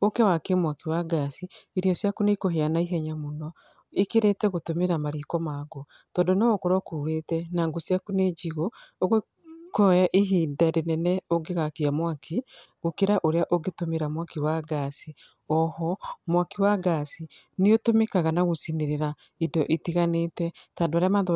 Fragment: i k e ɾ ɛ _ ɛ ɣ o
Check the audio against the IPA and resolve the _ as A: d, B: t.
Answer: B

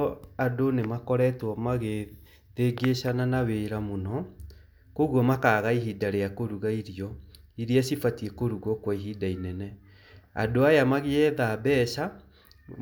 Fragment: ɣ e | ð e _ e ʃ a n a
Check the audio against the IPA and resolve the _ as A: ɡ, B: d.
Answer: A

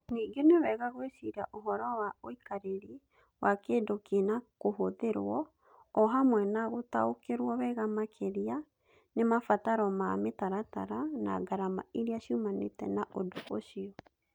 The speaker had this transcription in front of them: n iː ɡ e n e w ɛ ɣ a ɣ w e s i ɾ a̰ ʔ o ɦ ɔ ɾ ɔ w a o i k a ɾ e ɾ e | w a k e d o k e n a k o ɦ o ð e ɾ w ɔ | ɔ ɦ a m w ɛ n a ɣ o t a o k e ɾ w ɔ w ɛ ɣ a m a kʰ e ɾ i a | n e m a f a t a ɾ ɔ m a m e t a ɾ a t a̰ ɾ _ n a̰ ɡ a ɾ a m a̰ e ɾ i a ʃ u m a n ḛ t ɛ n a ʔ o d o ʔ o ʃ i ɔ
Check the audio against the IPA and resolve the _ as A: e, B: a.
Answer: B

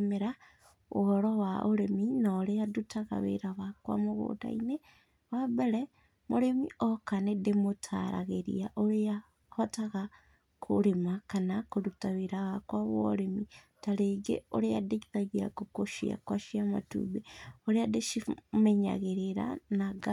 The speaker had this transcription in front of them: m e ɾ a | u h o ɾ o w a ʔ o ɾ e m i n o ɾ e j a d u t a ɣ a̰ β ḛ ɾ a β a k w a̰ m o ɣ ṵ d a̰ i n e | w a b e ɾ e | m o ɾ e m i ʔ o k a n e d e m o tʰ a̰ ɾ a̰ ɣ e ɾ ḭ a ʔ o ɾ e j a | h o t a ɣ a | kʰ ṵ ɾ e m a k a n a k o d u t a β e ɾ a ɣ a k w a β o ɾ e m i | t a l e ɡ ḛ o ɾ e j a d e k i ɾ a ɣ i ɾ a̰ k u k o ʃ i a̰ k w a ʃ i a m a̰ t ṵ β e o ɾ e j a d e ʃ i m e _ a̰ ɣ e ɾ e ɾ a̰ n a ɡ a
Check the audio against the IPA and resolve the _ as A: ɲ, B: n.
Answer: A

